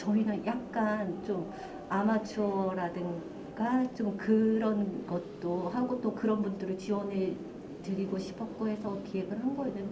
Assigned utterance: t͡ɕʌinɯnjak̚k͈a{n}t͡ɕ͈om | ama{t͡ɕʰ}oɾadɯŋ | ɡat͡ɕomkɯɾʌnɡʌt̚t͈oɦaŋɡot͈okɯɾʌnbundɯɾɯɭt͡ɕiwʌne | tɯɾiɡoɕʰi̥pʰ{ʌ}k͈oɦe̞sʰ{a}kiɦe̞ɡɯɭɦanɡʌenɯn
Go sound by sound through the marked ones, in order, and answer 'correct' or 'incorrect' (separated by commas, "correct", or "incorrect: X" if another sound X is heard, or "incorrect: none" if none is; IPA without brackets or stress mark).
correct, correct, correct, incorrect: ʌ